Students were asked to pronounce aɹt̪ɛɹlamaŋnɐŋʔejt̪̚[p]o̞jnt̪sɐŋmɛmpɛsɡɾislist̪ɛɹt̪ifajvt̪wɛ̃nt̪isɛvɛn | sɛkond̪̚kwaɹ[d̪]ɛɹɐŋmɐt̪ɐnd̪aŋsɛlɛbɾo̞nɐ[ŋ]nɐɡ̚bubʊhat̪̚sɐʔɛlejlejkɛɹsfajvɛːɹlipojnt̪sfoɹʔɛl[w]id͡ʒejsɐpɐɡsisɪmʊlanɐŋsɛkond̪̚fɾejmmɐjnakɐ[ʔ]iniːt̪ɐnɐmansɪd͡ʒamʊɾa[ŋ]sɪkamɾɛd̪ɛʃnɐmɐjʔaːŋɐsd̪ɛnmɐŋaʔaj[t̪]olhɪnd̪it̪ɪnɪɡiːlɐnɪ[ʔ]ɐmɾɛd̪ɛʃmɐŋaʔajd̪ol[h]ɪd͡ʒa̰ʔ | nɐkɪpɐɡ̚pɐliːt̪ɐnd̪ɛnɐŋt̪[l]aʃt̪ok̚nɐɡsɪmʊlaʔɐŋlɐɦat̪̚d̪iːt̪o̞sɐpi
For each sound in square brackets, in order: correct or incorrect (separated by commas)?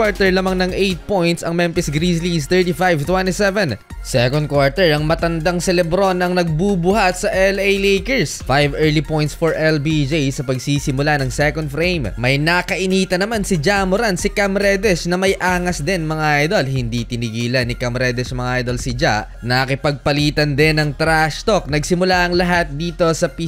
correct, incorrect, correct, incorrect, correct, incorrect, incorrect, incorrect, incorrect, incorrect